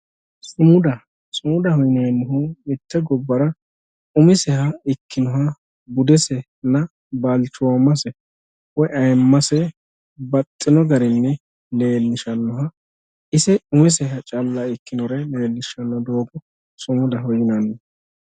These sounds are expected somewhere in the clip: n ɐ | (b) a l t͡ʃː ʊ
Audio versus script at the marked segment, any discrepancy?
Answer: no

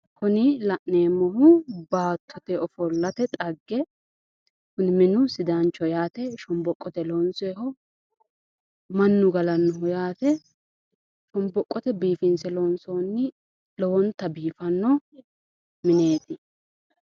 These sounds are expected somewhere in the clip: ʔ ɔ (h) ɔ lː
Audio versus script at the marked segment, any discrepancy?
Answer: yes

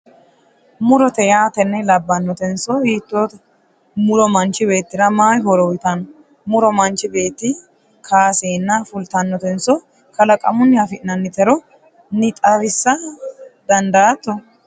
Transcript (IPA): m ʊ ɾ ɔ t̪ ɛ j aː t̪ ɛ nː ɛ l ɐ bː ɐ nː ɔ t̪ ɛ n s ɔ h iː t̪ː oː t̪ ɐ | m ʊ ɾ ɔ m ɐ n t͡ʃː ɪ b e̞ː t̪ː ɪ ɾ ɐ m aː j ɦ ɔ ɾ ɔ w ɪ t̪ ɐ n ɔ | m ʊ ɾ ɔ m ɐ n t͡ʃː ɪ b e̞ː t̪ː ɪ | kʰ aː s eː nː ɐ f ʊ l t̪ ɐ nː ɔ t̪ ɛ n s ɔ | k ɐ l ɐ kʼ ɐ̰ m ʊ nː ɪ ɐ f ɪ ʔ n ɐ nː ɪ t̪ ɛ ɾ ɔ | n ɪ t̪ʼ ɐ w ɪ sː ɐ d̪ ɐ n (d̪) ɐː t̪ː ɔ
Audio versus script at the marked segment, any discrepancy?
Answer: no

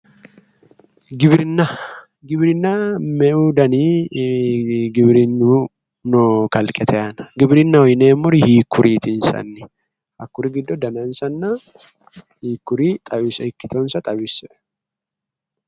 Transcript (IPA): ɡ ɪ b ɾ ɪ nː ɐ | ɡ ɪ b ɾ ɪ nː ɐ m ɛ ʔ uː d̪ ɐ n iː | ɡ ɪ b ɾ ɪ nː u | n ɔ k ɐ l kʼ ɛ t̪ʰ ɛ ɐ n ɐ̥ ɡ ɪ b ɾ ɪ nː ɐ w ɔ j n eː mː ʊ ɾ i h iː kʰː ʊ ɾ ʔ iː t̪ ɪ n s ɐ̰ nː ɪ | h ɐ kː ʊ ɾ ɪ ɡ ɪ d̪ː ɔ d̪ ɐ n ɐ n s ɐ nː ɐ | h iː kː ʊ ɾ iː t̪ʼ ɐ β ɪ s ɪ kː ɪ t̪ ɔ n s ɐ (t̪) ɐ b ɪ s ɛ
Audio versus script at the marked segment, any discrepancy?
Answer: yes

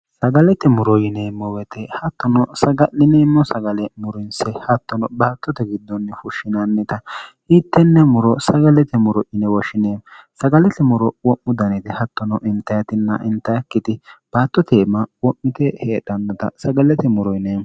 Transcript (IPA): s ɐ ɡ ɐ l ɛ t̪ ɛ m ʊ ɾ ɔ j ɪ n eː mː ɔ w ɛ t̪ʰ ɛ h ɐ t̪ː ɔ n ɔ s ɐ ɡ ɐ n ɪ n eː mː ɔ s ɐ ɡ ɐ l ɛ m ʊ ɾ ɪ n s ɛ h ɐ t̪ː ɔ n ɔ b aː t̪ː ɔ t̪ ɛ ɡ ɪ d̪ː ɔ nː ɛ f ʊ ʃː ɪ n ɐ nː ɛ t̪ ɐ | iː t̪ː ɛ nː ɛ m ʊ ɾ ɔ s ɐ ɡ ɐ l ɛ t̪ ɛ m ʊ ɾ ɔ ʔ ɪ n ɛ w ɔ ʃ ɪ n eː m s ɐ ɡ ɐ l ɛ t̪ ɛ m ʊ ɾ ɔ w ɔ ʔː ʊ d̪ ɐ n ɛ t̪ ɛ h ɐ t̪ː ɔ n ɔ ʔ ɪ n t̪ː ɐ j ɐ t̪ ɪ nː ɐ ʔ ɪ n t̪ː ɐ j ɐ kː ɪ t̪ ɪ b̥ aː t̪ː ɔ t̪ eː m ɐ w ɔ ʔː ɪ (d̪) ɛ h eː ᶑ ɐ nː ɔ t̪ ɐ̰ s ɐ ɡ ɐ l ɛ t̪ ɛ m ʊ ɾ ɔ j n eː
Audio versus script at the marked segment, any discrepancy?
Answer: yes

